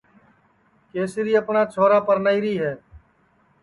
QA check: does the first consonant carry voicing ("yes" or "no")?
no